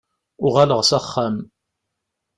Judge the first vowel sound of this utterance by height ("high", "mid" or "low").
high